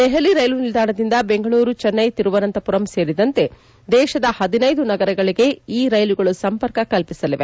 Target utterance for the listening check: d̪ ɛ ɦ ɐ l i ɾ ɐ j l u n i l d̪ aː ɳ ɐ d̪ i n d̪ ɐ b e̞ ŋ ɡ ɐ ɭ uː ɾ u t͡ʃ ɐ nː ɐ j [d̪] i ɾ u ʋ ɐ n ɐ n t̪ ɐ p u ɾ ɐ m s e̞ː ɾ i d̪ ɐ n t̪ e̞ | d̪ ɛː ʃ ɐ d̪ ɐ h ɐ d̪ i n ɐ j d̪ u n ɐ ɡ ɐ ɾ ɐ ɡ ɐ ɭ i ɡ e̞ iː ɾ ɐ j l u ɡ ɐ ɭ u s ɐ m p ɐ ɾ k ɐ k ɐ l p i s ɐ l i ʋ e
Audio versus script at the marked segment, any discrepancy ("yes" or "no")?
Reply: yes